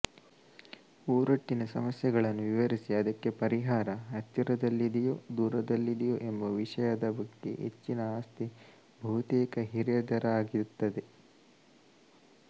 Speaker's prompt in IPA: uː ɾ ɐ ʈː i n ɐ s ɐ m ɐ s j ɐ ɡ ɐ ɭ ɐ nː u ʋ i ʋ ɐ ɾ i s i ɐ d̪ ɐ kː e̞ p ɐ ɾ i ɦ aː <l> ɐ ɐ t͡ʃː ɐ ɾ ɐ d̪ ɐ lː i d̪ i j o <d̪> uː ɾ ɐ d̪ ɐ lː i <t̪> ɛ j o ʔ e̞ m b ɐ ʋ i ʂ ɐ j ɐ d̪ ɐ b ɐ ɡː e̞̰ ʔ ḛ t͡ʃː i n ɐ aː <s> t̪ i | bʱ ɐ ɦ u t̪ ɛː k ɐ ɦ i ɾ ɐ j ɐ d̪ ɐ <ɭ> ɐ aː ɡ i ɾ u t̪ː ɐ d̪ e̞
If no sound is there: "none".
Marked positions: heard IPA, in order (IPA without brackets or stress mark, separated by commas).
ɾ, d̪, d̪, s, ɾ